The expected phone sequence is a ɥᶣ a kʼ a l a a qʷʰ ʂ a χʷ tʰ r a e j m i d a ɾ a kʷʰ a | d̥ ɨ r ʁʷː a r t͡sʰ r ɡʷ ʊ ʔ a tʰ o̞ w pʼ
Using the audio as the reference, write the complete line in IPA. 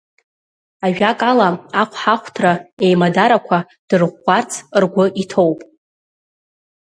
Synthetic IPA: a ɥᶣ a kʼ a l a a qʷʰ ħ a χʷ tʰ r a e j m a d a ɾ a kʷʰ a | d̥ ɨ r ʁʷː a r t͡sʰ r ɡʷ ʊ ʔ i tʰ o̞ w pʼ